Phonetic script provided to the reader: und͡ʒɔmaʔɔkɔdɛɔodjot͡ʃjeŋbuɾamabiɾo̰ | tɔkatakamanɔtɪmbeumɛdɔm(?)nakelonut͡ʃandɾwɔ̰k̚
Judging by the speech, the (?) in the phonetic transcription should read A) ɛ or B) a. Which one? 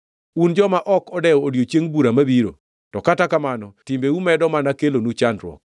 B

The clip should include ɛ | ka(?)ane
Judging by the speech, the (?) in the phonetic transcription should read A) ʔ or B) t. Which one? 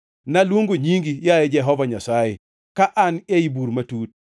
A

